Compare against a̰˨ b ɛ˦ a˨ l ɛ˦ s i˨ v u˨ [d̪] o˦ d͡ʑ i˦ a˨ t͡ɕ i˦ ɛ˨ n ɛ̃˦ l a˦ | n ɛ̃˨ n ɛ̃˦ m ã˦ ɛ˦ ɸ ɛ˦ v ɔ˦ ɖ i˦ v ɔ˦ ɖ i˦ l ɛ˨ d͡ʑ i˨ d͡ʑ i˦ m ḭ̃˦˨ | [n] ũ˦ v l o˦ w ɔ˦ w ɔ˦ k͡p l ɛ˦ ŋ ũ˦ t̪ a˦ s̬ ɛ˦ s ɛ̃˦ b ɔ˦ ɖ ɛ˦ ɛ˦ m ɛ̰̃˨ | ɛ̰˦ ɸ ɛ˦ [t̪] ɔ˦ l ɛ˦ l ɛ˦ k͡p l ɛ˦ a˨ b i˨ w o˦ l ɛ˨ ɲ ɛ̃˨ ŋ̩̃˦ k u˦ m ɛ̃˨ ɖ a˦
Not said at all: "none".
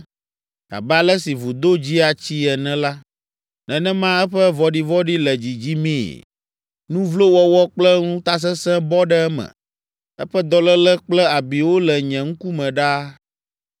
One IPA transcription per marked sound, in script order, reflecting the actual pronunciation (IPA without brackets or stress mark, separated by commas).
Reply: d̪, n, d̪